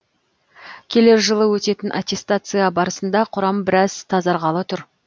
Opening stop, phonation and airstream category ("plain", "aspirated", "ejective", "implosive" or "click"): aspirated